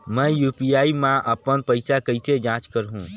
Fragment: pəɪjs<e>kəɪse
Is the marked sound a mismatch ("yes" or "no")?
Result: yes